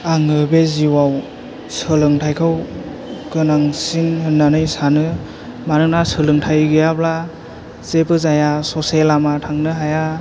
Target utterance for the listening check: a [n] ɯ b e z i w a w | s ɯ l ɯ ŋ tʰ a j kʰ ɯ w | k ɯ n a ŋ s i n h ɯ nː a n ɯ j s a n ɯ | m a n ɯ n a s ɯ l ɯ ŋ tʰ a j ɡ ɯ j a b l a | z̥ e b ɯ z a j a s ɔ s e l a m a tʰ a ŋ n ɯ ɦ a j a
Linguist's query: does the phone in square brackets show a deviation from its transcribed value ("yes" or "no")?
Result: yes